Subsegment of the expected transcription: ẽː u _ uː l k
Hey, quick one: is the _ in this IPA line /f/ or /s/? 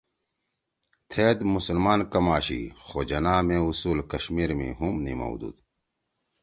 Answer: s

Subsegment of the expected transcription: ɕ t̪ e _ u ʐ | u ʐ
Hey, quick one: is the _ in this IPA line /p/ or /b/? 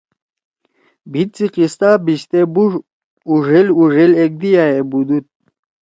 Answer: b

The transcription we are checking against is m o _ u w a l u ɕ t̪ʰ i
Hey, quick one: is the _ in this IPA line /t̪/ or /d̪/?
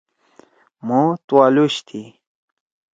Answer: t̪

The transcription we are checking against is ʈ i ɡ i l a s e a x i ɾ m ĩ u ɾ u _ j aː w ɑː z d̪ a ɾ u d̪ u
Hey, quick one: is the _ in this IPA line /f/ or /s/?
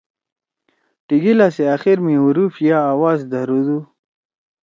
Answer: f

